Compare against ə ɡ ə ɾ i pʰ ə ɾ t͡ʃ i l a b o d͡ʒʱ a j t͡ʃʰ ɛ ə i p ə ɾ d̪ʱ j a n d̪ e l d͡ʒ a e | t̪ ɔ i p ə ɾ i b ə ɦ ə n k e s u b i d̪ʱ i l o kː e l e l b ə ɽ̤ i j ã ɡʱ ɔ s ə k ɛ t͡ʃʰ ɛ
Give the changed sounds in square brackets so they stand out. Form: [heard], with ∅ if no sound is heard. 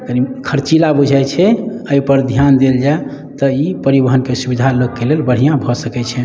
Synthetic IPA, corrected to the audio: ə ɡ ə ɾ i [kʰ] ə ɾ t͡ʃ i l a b [u] d͡ʒʱ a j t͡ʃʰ ɛ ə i p ə ɾ d̪ʱ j a n d̪ e l d͡ʒ a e | t̪ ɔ i p ə ɾ i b ə ɦ ə n k e s u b i d̪ʱ [a] l o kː e l e l b ə ɽ̤ i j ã [bʱ] ɔ s ə k ɛ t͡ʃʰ ɛ